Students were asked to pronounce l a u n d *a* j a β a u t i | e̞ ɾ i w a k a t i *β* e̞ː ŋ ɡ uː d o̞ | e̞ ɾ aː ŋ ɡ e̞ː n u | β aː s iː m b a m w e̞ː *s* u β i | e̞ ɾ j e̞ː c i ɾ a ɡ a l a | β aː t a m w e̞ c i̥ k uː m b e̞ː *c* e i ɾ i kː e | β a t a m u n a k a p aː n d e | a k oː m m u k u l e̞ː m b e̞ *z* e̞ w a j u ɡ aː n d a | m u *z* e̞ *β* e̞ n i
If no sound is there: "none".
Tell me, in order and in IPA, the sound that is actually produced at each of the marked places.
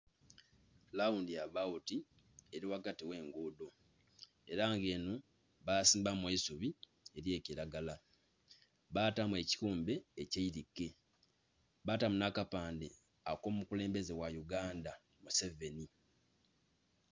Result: i, w, s, c, z, s, v

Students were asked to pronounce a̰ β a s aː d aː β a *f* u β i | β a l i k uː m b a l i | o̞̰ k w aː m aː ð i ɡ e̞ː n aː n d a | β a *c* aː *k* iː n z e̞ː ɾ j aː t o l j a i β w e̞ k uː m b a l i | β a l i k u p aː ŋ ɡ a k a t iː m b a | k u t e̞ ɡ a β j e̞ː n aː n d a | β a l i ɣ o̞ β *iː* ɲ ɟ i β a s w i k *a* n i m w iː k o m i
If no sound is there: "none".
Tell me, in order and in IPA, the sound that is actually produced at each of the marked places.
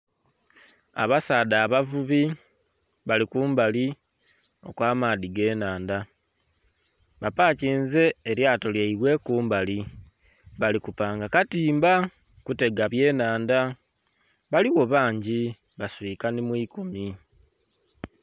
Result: v, p, c, aː, a

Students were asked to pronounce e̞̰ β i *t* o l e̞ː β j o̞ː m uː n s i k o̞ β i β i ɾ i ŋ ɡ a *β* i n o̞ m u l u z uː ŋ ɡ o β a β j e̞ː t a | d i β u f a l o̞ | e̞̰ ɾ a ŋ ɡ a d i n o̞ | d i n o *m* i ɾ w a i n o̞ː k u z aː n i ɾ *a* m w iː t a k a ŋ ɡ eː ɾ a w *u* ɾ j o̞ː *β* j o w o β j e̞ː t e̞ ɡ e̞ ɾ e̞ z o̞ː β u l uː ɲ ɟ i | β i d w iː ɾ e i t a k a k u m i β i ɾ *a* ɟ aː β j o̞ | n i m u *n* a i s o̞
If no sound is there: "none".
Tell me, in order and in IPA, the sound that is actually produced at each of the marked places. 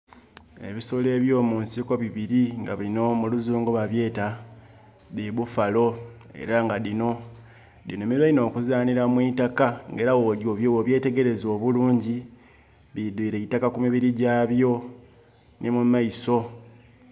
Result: s, β, m, a, o, β, i, m

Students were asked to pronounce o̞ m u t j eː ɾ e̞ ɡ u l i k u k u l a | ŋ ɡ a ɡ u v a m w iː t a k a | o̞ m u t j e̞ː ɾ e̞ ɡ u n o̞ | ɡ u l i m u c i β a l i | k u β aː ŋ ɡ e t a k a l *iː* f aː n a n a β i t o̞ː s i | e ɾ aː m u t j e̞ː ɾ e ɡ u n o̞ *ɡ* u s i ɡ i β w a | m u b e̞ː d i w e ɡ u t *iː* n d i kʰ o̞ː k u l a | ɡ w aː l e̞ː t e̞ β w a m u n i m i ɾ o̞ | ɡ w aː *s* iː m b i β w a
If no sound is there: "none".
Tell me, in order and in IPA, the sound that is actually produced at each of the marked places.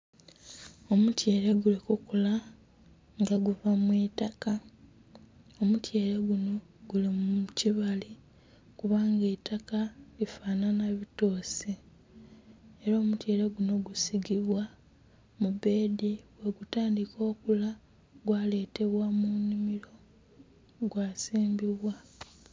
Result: i, ɡ, aː, s

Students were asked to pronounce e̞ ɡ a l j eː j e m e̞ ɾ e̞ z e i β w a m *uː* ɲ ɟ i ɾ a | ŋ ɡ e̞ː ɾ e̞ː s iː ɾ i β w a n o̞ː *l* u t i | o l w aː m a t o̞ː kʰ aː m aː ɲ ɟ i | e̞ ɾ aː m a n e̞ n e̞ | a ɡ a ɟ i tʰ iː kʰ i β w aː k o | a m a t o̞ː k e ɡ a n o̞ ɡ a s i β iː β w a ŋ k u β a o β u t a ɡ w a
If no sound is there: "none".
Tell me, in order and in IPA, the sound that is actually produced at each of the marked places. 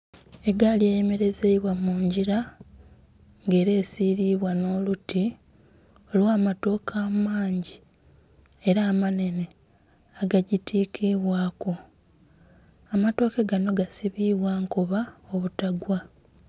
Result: uː, l

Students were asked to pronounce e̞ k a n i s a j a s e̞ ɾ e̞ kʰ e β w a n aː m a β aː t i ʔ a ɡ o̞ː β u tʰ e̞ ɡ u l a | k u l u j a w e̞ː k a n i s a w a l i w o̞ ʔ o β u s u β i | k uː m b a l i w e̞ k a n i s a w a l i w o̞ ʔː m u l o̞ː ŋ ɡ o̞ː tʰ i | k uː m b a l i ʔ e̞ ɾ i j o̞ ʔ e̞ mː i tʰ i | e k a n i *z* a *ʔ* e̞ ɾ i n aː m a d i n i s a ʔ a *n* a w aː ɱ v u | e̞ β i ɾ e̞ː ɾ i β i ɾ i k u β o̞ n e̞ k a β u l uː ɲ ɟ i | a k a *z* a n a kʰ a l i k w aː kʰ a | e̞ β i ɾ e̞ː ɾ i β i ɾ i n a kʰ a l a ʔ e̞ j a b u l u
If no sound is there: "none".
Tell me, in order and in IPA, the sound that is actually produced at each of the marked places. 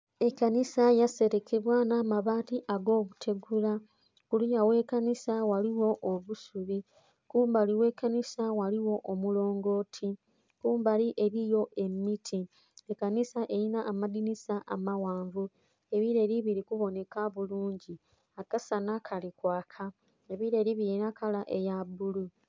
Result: s, ʔ, m, s

